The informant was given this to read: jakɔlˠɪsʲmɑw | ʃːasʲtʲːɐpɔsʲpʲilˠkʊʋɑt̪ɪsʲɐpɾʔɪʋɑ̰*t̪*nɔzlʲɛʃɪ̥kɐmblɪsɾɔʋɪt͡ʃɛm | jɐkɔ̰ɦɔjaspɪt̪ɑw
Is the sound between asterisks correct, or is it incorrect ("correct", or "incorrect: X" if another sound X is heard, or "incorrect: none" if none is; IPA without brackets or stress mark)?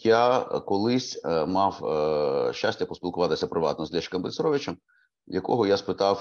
correct